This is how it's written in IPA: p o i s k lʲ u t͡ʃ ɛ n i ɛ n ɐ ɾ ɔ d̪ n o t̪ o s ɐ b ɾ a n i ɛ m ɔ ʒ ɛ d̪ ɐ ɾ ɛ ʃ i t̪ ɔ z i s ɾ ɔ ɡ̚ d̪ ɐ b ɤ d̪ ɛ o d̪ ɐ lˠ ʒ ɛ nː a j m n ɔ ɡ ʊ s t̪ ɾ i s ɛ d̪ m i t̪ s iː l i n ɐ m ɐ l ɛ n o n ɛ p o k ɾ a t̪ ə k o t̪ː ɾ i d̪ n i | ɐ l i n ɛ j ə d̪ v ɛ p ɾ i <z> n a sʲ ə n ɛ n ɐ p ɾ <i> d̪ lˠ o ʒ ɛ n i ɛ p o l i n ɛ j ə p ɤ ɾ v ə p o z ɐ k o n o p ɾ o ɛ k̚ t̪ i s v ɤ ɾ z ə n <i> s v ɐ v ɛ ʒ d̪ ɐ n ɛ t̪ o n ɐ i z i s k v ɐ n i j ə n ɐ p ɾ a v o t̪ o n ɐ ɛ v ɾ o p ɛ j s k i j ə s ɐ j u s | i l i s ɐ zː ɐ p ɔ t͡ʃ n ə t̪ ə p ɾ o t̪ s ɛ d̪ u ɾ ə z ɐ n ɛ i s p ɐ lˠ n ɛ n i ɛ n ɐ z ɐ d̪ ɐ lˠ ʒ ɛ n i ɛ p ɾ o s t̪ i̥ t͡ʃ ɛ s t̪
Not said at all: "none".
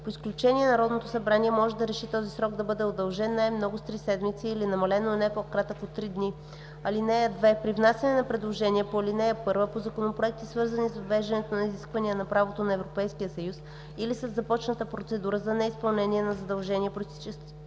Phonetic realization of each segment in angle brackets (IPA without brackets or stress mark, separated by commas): v, ɛ, i